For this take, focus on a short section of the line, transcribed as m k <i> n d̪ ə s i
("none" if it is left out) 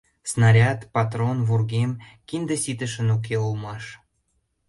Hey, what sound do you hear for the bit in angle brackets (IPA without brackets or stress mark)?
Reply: i